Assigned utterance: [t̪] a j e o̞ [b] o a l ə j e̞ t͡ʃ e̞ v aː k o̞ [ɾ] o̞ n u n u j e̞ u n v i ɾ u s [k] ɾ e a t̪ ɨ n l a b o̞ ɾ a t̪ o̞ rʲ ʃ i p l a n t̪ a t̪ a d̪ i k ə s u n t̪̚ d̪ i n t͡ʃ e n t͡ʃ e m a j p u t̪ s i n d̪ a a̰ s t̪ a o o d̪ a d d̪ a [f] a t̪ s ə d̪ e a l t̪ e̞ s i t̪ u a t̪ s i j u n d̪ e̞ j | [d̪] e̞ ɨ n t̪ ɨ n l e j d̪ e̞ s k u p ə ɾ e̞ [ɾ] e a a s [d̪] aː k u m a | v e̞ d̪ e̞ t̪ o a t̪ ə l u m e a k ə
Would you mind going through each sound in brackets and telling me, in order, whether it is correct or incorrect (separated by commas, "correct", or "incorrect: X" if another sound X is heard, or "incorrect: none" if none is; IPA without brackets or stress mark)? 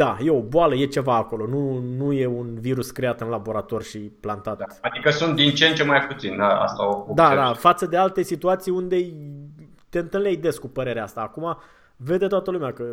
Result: incorrect: d̪, correct, incorrect: l, correct, correct, incorrect: t̪, correct, incorrect: t̪